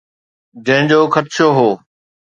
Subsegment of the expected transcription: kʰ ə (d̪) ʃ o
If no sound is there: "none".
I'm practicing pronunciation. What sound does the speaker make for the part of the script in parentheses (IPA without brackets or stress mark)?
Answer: t̪